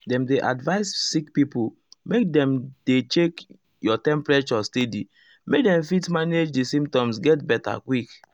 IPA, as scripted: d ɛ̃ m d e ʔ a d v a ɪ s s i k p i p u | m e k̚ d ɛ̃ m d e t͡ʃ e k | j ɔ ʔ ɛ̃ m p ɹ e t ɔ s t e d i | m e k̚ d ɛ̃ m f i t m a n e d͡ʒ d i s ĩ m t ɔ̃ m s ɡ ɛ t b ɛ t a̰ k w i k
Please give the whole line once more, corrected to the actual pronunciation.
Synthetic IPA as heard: d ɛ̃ m d e ʔ a d v a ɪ s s i k p i p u | m e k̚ d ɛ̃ m d e t͡ʃ e k | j ɔ t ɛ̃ m p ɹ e t͡ʃ ɔ s t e d i | m e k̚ d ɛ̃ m f i t m a n e d͡ʒ d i s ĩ m t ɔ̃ m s ɡ ɛ t b ɛ t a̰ k w i k